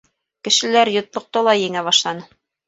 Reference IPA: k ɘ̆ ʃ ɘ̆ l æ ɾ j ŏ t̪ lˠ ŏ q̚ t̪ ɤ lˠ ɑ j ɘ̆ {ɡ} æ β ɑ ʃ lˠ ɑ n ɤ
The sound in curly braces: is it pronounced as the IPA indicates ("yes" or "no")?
no